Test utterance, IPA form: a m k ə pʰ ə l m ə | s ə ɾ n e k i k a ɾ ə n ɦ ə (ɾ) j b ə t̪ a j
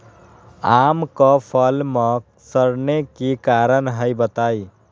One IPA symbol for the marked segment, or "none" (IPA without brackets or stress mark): none